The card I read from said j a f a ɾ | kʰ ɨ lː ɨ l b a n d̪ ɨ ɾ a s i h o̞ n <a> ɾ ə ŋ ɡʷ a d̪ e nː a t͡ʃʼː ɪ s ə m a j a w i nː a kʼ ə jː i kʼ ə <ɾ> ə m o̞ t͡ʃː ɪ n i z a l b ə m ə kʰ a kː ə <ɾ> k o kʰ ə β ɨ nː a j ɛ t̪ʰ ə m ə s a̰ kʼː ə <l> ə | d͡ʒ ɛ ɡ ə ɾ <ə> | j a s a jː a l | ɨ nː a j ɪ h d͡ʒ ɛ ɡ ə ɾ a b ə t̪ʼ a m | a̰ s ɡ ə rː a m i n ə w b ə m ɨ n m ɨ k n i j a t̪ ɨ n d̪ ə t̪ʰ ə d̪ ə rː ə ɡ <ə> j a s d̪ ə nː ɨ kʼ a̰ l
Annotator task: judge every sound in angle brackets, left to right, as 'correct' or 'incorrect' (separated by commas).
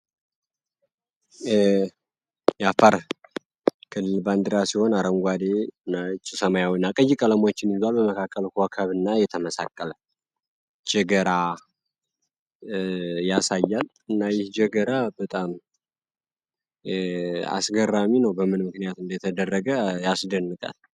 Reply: correct, incorrect, incorrect, correct, incorrect, correct